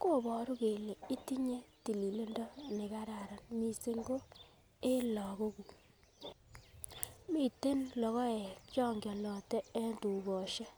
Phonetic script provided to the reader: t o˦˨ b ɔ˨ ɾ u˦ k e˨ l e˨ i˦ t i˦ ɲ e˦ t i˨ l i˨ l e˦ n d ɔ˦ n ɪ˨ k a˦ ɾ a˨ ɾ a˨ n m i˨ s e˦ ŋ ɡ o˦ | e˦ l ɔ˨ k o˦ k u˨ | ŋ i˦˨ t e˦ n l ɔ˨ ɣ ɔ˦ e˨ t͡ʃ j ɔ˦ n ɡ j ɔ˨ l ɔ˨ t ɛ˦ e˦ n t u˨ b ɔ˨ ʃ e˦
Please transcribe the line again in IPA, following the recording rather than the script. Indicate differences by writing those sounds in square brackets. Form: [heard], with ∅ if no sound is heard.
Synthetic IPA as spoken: [k] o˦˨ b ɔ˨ ɾ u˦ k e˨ l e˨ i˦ t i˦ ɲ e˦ t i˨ l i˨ l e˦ n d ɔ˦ n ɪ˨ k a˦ ɾ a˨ ɾ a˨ n m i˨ s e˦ ŋ ɡ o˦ | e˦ l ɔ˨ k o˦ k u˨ | [m] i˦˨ t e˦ n l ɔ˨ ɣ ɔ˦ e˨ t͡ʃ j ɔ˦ [ŋ] ɡ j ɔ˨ l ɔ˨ t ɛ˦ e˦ n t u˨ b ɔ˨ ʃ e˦